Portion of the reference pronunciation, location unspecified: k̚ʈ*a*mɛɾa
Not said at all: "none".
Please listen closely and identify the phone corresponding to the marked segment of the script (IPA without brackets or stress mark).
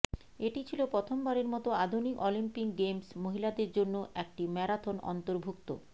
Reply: i